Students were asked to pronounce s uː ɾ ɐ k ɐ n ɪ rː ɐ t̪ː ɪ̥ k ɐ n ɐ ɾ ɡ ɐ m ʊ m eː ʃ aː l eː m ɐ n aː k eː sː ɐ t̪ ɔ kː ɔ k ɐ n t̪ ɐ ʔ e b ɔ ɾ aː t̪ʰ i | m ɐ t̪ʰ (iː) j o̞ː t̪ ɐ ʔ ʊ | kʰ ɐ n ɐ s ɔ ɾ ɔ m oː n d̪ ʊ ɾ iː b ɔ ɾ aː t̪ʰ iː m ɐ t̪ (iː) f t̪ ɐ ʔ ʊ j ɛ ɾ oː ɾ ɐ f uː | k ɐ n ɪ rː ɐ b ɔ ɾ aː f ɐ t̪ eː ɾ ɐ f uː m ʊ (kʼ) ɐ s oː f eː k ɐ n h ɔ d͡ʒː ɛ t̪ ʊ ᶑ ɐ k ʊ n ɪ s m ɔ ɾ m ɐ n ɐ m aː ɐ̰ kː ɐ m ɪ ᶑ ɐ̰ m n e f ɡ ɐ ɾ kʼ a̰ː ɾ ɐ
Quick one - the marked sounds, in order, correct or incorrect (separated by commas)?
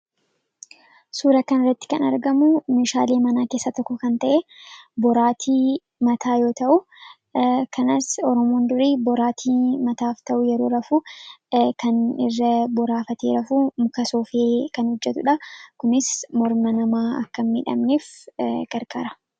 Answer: incorrect, incorrect, incorrect